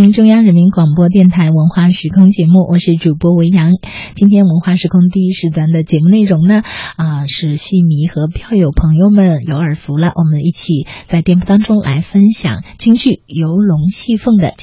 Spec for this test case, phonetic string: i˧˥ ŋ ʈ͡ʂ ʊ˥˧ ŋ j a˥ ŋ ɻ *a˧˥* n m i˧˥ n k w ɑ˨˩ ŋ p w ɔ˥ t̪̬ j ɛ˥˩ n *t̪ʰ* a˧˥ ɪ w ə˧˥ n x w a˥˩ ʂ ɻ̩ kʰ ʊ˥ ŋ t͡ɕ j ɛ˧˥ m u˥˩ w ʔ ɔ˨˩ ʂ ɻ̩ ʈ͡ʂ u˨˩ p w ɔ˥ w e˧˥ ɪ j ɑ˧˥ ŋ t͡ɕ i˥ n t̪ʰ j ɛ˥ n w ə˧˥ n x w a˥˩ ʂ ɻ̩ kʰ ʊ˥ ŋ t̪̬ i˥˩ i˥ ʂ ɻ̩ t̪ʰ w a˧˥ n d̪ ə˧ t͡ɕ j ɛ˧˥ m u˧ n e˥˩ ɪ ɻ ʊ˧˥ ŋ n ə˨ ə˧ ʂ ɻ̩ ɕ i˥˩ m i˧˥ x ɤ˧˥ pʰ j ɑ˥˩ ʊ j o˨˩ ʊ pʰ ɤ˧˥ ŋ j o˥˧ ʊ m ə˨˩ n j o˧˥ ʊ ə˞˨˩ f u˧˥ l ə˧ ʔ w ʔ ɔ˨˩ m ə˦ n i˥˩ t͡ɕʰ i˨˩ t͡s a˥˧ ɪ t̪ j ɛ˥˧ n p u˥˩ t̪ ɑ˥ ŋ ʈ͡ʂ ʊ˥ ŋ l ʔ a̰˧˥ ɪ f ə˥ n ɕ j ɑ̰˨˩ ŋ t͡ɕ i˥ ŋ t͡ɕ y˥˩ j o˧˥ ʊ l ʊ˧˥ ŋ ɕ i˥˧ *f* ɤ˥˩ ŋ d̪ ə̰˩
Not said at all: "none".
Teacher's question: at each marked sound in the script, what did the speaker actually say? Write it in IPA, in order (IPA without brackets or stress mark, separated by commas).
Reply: ə˧˥, t̪ʰ, f